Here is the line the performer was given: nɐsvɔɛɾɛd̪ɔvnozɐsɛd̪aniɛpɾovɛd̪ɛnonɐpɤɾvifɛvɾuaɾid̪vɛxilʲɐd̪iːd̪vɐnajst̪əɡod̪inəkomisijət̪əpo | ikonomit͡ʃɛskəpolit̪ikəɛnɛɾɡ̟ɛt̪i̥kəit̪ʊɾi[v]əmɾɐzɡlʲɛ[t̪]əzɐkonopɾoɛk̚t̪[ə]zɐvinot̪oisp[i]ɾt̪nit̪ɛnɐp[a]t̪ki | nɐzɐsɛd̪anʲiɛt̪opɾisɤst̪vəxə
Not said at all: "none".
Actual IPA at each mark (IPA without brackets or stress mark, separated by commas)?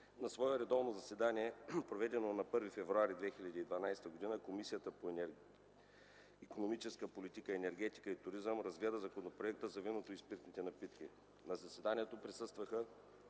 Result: z, d̪, ə, i, i